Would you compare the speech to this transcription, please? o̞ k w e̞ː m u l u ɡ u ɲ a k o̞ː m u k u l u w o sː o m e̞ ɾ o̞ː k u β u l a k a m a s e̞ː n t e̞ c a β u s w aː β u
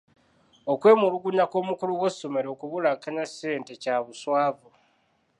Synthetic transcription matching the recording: o̞ k w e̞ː m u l u ɡ u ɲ a k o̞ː m u k u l u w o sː o m e̞ ɾ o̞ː k u β u l a k a ɲ a s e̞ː n t e̞ c a β u s w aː v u